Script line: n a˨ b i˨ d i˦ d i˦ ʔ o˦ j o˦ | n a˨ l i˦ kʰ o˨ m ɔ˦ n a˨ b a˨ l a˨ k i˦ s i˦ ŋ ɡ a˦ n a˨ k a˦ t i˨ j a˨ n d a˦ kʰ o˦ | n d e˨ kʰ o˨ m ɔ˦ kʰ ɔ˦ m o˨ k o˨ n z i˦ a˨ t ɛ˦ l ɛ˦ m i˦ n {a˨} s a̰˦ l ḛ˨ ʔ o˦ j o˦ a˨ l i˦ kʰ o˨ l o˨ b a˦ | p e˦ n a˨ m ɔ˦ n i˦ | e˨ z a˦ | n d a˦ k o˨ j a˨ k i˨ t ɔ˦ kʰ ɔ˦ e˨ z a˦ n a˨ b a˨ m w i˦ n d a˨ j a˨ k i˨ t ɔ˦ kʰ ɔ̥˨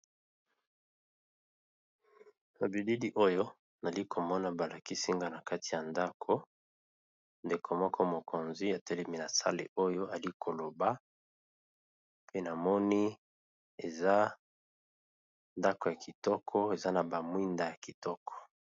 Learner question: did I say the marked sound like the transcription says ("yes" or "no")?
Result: yes